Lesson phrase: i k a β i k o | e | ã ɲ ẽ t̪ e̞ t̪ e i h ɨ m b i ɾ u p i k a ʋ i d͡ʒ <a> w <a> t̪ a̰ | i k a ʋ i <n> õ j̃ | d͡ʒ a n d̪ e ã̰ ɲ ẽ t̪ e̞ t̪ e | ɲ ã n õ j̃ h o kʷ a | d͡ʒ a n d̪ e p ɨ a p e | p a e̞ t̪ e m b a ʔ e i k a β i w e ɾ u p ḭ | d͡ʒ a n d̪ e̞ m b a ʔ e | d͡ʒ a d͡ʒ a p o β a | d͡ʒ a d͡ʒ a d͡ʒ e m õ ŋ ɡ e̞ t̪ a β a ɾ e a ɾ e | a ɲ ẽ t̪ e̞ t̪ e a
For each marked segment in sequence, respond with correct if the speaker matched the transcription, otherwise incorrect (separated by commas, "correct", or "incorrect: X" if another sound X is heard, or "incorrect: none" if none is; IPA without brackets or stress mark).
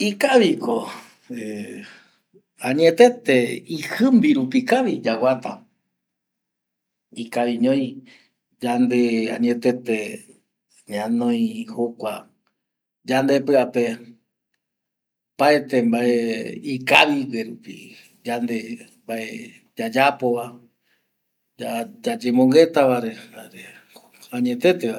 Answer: correct, correct, incorrect: ɲ